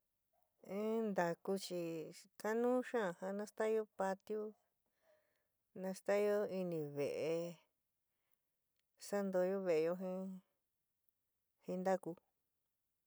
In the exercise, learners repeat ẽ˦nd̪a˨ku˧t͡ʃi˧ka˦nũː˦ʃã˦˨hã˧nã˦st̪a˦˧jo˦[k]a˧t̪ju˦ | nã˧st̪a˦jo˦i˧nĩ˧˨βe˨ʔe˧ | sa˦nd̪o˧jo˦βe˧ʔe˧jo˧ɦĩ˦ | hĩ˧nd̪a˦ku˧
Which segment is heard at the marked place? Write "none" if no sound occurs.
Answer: p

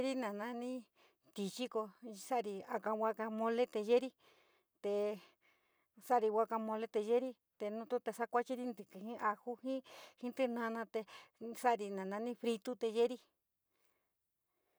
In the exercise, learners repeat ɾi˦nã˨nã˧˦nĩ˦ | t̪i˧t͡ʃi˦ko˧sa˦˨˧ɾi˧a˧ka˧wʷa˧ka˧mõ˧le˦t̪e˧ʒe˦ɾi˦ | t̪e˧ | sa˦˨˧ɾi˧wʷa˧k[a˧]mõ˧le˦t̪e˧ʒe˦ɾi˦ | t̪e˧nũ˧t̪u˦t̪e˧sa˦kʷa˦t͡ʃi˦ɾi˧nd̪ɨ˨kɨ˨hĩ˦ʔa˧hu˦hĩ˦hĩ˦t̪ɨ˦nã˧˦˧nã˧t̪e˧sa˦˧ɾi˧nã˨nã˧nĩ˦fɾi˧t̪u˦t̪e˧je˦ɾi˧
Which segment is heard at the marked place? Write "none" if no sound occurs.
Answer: a˧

